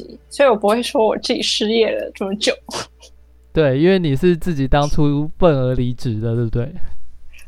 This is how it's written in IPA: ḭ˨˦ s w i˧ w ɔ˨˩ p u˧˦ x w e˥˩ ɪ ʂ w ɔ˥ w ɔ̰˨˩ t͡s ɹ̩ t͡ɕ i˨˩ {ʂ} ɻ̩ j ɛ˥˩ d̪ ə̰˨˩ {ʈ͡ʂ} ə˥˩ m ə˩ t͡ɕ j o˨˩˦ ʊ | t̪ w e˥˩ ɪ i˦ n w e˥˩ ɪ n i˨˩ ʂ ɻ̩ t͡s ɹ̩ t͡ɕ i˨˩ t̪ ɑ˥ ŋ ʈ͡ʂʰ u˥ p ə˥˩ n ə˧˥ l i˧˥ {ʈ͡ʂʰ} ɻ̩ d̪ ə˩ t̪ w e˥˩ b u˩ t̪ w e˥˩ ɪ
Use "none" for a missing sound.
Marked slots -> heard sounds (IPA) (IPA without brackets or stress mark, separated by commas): ʂ, ʈ͡ʂ, ʈ͡ʂ